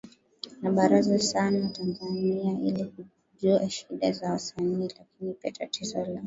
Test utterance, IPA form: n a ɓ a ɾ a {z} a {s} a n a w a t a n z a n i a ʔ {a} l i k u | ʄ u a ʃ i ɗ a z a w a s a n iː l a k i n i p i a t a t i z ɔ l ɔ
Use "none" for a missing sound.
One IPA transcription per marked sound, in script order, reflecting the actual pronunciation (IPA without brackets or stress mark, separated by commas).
z, s, i